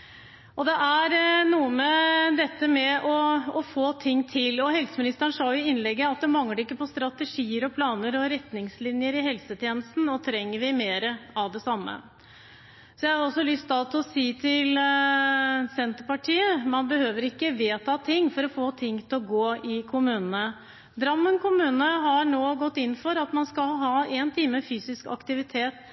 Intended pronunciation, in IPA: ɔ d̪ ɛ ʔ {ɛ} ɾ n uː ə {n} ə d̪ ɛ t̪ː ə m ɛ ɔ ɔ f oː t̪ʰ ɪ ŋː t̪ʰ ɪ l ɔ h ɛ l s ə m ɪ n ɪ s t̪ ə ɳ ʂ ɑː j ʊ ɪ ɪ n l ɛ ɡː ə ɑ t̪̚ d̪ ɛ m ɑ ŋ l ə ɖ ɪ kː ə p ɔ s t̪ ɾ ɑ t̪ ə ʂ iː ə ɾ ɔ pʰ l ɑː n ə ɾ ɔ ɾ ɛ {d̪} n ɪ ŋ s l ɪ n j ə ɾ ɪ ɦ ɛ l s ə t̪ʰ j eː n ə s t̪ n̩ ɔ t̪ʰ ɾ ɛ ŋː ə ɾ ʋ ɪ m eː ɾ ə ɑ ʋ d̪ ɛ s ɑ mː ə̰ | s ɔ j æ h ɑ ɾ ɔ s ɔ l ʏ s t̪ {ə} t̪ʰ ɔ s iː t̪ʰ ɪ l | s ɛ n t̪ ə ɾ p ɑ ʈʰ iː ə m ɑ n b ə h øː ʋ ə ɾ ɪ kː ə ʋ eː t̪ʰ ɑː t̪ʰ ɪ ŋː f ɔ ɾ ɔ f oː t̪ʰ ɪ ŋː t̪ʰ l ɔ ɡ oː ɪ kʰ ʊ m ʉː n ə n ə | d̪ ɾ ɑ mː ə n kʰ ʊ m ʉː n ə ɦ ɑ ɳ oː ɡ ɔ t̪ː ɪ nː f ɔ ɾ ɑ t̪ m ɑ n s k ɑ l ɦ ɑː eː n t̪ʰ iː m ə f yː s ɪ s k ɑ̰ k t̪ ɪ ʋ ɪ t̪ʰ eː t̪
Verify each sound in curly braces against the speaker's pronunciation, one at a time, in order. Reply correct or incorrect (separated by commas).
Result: incorrect, incorrect, incorrect, incorrect